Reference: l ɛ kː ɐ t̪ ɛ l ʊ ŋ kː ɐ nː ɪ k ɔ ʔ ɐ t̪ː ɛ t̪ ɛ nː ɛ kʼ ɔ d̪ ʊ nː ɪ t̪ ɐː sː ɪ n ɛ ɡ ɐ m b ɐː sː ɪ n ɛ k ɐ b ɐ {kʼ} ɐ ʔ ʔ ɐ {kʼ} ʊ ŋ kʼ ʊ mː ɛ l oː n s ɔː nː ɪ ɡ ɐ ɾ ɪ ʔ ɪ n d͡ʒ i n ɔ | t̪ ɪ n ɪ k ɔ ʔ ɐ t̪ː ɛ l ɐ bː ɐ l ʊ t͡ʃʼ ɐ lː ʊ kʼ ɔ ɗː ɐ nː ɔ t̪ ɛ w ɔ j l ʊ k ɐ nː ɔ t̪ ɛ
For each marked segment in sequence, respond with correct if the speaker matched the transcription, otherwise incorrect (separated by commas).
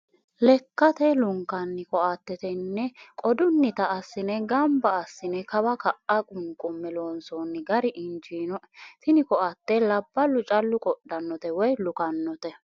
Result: incorrect, correct